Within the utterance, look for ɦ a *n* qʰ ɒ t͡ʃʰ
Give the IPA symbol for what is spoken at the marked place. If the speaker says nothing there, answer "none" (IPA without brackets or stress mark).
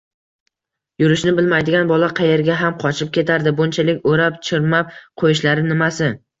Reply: m